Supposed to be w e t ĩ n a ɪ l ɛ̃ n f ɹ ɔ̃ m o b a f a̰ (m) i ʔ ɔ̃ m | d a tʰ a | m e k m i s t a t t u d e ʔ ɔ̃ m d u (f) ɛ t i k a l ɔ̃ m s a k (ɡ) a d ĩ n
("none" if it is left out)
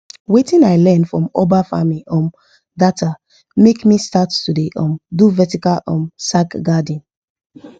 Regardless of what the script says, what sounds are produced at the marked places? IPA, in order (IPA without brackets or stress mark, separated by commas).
m, v, ɡ